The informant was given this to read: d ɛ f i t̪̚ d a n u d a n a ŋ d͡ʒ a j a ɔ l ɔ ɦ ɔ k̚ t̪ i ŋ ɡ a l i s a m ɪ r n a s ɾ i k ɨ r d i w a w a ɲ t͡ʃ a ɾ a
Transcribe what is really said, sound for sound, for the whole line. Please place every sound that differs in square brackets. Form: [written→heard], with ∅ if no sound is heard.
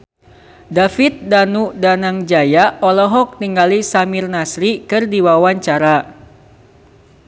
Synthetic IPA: d [ɛ→a] f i t̪̚ d a n u d a n a ŋ d͡ʒ a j a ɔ l ɔ ɦ ɔ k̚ t̪ i ŋ ɡ a l i s a m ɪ r n a s ɾ i k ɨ r d i w a w a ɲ t͡ʃ a ɾ a